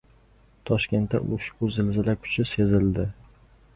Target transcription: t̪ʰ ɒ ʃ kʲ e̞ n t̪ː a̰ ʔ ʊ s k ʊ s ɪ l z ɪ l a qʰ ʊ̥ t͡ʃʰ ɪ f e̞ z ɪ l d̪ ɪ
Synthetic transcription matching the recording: t̪ʰ ɒ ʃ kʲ e̞ n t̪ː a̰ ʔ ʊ ʃ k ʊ z ɪ l z ɪ l a kʰ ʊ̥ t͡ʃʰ ɪ s e̞ z ɪ l d̪ ɪ

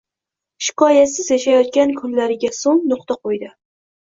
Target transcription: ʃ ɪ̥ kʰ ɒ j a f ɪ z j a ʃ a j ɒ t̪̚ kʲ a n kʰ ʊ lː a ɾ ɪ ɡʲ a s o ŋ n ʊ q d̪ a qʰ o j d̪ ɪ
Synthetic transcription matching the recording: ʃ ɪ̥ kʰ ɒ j a s ɪ z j a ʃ a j ɒ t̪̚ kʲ a n kʰ ʊ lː a ɾ ɪ ɡʲ a s o ŋ n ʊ q t̪ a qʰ o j d̪ ɪ

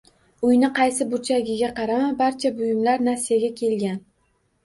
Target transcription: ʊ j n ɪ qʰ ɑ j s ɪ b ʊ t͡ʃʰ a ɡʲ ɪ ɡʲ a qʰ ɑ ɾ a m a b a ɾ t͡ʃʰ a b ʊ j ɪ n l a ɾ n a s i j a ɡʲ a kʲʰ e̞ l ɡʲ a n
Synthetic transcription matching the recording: ʊ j n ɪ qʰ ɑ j s ɪ b ʊ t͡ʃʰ a ɡʲ ɪ ɡʲ a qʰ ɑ ɾ a m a b a ɾ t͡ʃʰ a b ʊ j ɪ m l a ɾ n a s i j a ɡʲ a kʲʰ e̞ l ɡʲ a n

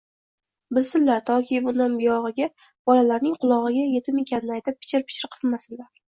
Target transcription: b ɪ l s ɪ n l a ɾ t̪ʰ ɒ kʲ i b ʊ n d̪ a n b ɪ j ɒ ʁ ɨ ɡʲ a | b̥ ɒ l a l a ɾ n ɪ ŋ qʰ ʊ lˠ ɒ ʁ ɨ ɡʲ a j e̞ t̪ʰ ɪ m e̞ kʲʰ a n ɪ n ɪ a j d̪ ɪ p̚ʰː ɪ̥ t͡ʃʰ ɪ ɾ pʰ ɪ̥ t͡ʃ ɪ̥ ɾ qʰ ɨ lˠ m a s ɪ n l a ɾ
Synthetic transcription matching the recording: b ɪ l s ɪ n l a ɾ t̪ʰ ɒ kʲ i b ʊ n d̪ a n b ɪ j ɒ ʁ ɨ ɡʲ a | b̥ ɒ l a l a ɾ n ɪ ŋ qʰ ʊ lˠ ɒ ʁ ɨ ɡʲ a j e̞ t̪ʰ ɪ m e̞ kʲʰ a n ɪ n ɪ a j t̪ ɪ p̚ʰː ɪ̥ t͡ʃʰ ɪ ɾ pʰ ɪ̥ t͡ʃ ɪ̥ ɾ qʰ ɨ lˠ m a s ɪ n l a ɾ

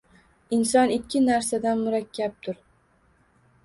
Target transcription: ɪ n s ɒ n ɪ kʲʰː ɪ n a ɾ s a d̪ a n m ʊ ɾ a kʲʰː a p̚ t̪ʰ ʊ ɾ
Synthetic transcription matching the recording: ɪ n s ɒ n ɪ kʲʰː ɪ n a ɾ s a d̪ a n m ʊ ɾ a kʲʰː a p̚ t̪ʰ ʊ ɾ

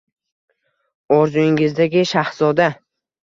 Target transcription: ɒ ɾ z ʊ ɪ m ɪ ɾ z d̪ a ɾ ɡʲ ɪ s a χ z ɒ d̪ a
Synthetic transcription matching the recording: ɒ ɾ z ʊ ɪ ŋ ɪ z d̪ a ɡʲ ɪ ʃ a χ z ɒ d̪ a

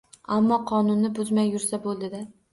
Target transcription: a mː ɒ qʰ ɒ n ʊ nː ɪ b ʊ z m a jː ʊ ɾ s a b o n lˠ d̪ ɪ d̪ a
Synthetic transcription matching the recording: a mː ɒ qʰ ɒ n ʊ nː ɪ b ʊ z m a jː ʊ ɾ s a b o lˠ d̪ ɪ d̪ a

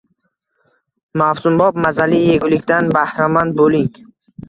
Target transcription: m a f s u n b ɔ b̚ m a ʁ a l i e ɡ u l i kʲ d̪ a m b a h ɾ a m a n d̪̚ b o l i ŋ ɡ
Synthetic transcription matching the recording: m a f s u m b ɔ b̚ m a z a l i e ɡ u l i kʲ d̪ a n b a h ɾ a m a n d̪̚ b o l i ŋ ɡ

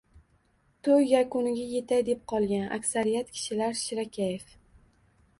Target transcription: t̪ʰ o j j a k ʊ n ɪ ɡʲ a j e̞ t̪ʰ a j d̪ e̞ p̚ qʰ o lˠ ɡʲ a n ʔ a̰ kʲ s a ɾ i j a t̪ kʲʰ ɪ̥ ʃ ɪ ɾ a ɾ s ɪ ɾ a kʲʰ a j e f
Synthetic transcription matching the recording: t̪ʰ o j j a k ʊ n ɪ ɡʲ a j e̞ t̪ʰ a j d̪ e̞ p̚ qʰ ɒ lˠ ɡʲ a n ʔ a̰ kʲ s a ɾ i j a t̪ kʲʰ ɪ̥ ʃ ɪ l a ɾ ʃ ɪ ɾ a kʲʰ a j e f

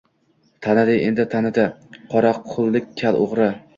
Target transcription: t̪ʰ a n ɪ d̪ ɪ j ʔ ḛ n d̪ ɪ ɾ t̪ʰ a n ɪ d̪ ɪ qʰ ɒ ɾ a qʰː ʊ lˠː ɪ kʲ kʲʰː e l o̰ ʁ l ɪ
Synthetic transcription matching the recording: t̪ʰ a n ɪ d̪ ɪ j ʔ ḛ n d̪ ɪ t̪ʰ a n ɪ d̪ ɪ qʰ ɒ ɾ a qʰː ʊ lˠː ɪ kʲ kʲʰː a l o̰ ʁ ɾ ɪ

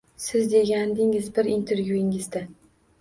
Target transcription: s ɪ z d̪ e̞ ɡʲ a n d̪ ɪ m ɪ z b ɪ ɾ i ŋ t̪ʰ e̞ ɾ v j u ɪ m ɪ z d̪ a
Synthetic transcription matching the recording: s ɪ z d̪ e̞ ɡʲ a n d̪ ɪ ŋ ɪ z b ɪ ɾ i n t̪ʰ e̞ ɾ v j u ɪ ŋ ɪ z d̪ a

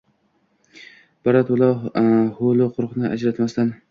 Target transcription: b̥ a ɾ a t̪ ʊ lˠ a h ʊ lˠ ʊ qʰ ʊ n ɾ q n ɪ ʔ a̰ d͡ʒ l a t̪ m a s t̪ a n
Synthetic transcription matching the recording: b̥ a ɾ a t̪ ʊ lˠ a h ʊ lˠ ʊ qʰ ʊ ɾ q n ɪ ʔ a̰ d͡ʒ ɾ a t̪ m a s t̪ a n

